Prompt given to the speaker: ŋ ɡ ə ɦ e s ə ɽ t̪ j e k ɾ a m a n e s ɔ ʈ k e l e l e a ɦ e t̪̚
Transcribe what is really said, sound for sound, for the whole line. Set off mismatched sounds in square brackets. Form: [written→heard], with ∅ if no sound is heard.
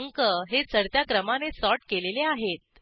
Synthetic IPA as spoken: ŋ [ɡ→k] ə ɦ e [s→t͡s] ə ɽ t̪ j [e→a] k ɾ [a→ə] m a n e s ɔ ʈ k e l e l e a ɦ e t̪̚